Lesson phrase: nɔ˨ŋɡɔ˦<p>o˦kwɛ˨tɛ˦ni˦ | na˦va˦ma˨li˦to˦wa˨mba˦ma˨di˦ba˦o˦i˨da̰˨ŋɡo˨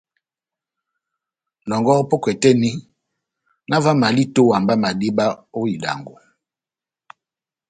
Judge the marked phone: correct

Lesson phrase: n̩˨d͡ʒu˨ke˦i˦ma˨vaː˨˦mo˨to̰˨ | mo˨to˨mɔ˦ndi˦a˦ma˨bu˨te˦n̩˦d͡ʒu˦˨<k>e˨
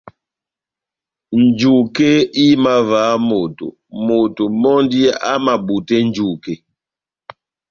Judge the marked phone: correct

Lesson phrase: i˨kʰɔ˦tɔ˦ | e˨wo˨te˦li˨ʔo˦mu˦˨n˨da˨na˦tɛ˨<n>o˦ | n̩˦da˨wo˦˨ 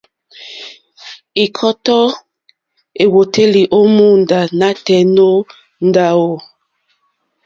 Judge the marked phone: correct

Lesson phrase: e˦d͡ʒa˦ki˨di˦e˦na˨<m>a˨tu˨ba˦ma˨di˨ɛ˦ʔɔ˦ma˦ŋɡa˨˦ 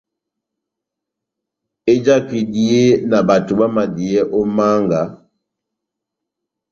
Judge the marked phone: incorrect: b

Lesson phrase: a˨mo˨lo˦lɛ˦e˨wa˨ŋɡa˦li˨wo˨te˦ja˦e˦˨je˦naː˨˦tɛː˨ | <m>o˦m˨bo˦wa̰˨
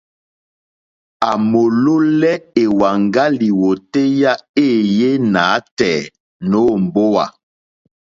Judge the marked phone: incorrect: n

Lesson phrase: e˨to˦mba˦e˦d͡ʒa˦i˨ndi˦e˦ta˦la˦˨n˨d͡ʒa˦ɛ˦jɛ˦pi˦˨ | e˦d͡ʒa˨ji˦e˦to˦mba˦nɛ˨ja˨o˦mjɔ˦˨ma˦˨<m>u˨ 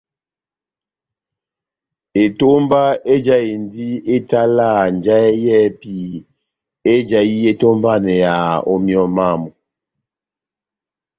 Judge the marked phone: correct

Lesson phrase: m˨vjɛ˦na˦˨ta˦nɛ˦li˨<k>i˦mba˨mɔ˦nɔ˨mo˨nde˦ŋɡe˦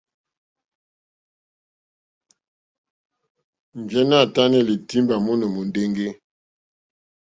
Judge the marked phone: incorrect: t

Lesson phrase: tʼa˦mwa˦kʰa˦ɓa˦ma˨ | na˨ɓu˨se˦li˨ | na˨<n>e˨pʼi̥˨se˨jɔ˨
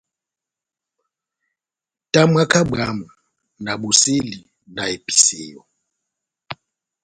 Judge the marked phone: incorrect: none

